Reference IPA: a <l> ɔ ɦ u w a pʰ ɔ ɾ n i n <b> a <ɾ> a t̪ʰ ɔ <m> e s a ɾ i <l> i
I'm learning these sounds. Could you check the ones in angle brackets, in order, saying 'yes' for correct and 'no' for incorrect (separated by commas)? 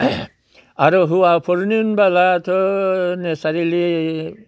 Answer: no, yes, no, no, yes